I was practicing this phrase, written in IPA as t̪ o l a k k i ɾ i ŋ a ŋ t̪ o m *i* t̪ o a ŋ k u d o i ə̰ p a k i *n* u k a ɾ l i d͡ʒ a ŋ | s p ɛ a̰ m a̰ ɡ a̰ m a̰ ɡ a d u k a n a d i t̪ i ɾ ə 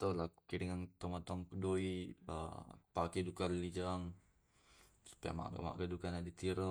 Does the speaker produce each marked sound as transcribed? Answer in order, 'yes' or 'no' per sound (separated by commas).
no, no